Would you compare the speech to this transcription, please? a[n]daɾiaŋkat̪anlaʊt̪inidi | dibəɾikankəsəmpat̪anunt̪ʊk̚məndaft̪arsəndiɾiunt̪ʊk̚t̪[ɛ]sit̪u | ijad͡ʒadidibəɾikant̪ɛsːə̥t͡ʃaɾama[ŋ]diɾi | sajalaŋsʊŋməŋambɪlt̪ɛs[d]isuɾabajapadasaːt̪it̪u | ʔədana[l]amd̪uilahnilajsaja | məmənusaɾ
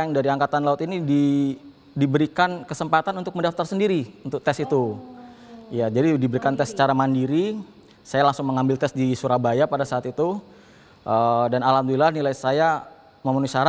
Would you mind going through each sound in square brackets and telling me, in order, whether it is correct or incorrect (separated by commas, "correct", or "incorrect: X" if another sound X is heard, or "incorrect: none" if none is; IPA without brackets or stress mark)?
incorrect: ŋ, correct, incorrect: n, correct, correct